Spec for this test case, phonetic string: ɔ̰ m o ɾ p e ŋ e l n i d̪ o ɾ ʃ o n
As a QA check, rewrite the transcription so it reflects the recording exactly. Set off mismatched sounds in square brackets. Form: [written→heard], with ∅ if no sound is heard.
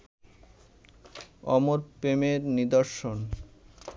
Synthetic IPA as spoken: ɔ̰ m o ɾ p e [ŋ→m] e [l→ɾ] n i d̪ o ɾ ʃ o n